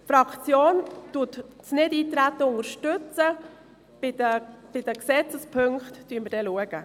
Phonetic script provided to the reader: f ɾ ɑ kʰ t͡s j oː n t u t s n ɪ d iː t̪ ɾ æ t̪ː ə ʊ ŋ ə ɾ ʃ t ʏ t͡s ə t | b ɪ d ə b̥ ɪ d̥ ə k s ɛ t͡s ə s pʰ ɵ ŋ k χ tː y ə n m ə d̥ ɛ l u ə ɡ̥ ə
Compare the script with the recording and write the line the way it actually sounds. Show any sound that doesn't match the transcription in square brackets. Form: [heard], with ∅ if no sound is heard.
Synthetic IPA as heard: f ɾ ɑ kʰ t͡s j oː n t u t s n ɪ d iː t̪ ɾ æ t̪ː ə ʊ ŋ ə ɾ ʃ t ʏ t͡s ə [∅] | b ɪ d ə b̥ ɪ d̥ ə k s ɛ t͡s ə s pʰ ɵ ŋ k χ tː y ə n m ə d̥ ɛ l u ə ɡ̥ ə

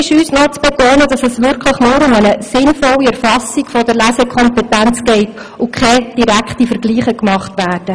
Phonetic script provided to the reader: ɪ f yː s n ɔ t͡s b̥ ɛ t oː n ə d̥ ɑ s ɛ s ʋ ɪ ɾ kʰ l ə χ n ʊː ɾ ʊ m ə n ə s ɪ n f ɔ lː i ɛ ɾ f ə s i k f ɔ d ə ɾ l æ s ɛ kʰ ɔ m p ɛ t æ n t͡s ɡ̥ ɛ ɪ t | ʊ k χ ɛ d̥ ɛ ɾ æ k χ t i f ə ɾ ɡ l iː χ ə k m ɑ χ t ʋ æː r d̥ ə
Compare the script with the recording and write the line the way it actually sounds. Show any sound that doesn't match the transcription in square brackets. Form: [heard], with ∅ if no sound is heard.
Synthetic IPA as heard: ɪ [ʃ] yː s n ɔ t͡s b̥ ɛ t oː n ə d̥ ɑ s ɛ s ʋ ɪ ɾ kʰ l ə χ n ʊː ɾ ʊ m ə n ə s ɪ n f ɔ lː i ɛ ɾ f [ɑ] s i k f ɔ d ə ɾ l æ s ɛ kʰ ɔ m p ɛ t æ n t͡s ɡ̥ ɛ ɪ t | ʊ k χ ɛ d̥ [i] ɾ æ k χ t i f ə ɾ ɡ l iː χ ə k m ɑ χ t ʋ æː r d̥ ə

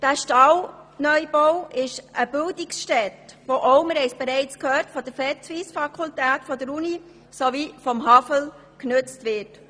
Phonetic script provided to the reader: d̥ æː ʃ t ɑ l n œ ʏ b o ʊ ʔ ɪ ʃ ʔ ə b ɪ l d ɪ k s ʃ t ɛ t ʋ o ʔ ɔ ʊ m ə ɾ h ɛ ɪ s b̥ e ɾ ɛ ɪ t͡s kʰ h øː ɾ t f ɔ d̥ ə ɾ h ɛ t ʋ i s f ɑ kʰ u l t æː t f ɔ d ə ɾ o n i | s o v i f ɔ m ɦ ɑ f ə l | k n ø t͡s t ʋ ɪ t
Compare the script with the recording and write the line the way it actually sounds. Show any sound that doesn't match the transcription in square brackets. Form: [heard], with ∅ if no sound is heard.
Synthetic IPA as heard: d̥ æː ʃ t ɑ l n œ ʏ b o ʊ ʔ ɪ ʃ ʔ ə b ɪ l d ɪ k s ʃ t ɛ t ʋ o ʔ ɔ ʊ m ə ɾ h ɛ ɪ s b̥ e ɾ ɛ ɪ t͡s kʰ h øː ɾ t f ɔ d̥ ə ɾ [f] ɛ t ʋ i s f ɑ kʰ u l t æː t f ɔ d ə ɾ [u] n i | s o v i f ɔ m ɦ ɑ f ə l | k n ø t͡s t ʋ ɪ t

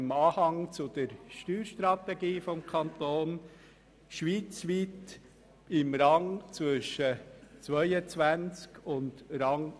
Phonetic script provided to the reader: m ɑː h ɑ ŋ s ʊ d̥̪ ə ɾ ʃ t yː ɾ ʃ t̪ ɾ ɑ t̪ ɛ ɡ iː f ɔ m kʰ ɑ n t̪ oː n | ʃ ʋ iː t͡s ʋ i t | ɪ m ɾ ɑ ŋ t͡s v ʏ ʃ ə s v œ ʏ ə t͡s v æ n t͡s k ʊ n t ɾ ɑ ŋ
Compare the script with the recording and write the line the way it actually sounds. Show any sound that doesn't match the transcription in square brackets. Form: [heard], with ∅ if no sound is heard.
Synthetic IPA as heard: m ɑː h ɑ ŋ [t͡s] ʊ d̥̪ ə ɾ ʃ t yː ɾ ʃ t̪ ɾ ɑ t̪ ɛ ɡ iː f ɔ m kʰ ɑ n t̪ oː n | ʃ ʋ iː t͡s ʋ i t | ɪ m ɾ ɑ ŋ t͡s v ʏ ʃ ə [t͡s] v œ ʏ ə t͡s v æ n t͡s k ʊ n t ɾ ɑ ŋ

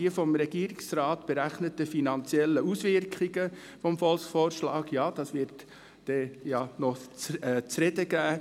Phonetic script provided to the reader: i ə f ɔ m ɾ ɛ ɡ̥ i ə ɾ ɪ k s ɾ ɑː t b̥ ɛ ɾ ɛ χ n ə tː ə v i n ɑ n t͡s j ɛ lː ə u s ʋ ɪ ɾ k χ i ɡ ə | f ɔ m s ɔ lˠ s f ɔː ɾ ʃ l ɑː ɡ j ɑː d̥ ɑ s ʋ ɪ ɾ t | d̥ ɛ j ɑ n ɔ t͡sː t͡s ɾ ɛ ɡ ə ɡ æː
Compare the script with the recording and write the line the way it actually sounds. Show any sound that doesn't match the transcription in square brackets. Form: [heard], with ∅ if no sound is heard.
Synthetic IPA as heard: i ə f ɔ m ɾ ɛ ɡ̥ i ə ɾ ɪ k s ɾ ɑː t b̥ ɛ ɾ [æ] χ n ə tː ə [f] i n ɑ n t͡s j ɛ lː ə u s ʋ ɪ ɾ k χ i ɡ ə | f ɔ m [f] ɔ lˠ s f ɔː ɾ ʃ l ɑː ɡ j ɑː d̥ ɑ s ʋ ɪ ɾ t | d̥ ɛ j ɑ n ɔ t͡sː t͡s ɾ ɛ [d] ə ɡ æː

